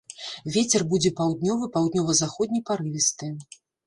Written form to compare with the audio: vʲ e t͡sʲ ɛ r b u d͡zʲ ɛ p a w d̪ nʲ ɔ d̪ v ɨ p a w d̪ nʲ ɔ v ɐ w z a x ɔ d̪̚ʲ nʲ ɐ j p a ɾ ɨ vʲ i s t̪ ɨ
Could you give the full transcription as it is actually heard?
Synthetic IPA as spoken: vʲ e t͡sʲ ɛ r b u d͡zʲ ɛ p a w d̪ nʲ ɔ v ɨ p a w d̪ nʲ ɔ v ɐ z a x ɔ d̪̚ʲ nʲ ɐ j p a ɾ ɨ vʲ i s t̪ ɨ